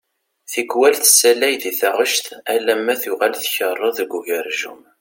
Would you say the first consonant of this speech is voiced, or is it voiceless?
voiceless